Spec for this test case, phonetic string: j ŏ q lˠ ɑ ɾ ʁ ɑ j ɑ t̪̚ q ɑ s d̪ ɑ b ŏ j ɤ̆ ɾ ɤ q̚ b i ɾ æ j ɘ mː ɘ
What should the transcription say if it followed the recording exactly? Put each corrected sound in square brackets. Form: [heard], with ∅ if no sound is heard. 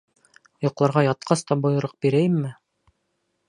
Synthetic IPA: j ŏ q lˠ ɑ ɾ ʁ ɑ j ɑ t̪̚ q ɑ s [t̪] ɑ b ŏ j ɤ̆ ɾ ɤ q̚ b i ɾ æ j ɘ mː ɘ

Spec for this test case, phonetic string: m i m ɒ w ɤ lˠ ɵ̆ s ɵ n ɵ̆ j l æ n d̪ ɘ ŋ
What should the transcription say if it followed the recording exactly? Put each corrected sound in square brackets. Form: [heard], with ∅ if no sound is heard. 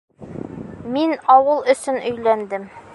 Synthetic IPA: m i [n] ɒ w ɤ lˠ ɵ̆ s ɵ n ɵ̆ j l æ n d̪ ɘ [m]

